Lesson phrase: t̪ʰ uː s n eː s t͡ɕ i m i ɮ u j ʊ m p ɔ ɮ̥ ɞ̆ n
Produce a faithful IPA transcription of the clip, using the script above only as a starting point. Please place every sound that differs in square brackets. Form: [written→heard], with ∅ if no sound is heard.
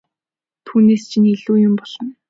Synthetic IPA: t̪ʰ uː [s→∅] n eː s [t͡ɕ→t͡ɕʰ] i [m→n] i ɮ [u→uː] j ʊ m p ɔ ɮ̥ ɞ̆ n